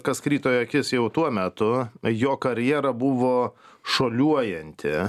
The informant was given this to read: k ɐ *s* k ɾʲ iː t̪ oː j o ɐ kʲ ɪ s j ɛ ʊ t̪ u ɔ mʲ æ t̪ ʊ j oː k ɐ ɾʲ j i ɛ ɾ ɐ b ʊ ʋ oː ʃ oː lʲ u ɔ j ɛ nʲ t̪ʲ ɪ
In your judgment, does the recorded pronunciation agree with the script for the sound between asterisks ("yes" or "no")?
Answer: yes